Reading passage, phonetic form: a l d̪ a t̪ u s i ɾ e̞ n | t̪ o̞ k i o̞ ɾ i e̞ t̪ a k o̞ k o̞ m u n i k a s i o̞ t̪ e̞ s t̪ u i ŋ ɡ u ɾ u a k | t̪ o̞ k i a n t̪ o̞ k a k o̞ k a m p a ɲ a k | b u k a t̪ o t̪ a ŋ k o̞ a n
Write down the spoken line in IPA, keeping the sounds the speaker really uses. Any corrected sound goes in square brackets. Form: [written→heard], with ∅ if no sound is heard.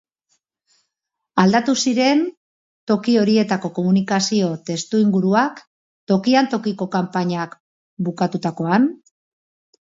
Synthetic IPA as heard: a l d̪ a t̪ u s i ɾ e̞ n | t̪ o̞ k i o̞ ɾ i e̞ t̪ a k o̞ k o̞ m u n i k a s i o̞ t̪ e̞ s t̪ u i ŋ ɡ u ɾ u a k | t̪ o̞ k i a n t̪ o̞ k [a→i] k o̞ k a m p a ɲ a k | b u k a t̪ [o→u] t̪ a [ŋ→∅] k o̞ a n